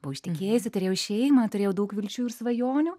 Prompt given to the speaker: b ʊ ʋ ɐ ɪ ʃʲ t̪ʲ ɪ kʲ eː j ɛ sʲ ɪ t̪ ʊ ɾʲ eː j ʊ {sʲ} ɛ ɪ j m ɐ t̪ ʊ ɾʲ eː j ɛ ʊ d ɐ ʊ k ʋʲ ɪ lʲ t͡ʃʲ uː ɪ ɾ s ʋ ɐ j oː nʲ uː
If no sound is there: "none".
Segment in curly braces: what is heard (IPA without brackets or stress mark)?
ʃʲ